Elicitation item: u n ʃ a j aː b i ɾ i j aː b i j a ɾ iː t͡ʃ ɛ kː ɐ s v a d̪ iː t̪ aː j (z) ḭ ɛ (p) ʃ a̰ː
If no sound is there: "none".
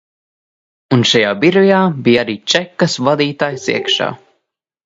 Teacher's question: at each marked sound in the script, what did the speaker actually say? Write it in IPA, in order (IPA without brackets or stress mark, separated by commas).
s, k